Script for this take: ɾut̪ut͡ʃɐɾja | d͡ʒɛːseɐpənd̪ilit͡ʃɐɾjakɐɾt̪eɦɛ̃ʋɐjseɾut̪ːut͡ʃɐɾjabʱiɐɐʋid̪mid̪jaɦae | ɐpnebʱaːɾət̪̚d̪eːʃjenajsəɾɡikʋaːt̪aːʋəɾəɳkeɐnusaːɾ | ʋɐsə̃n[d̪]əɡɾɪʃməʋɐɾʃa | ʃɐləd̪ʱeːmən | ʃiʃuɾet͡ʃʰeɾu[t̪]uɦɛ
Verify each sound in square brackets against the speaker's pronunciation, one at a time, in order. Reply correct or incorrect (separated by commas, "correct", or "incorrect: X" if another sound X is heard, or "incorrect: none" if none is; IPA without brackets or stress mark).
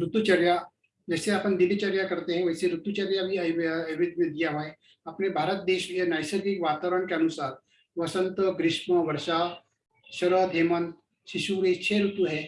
incorrect: t̪, correct